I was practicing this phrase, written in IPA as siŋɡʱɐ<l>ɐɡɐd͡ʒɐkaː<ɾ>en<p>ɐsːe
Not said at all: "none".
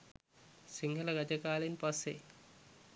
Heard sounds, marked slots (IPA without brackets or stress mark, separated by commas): l, l, p